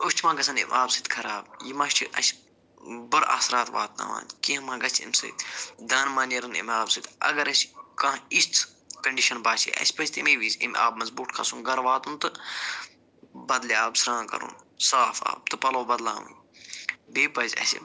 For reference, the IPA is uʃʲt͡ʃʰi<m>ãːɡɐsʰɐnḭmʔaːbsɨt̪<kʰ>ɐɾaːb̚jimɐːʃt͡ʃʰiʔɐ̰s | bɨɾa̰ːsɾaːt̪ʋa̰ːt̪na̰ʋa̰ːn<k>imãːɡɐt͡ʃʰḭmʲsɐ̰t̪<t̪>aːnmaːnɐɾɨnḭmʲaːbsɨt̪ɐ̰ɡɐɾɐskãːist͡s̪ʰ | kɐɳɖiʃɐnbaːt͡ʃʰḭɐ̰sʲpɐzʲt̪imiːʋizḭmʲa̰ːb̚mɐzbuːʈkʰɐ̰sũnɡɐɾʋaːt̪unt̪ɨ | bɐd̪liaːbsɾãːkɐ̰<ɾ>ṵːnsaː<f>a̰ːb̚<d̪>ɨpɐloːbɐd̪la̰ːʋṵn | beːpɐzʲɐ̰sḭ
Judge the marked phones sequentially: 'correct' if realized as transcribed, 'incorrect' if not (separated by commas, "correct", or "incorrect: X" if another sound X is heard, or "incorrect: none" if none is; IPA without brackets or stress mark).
correct, correct, correct, incorrect: d̪, correct, correct, incorrect: t̪